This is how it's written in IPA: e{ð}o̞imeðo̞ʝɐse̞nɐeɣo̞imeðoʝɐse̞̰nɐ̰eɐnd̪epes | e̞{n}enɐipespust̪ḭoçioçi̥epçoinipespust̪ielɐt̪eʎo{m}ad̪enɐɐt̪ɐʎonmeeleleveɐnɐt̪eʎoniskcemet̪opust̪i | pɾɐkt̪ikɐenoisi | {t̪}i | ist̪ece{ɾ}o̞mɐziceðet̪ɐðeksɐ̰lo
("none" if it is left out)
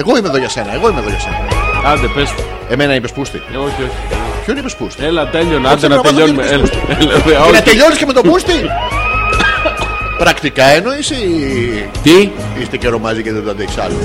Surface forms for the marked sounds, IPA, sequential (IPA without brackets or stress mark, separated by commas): ɣ, m, n, t̪, ɾ